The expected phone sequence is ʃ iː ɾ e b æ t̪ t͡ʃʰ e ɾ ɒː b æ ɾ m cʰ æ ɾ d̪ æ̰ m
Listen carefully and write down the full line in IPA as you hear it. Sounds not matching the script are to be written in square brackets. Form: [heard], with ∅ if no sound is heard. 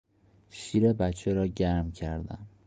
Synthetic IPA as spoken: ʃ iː ɾ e b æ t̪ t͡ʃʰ e ɾ ɒː [ɟ] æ ɾ m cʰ æ ɾ d̪ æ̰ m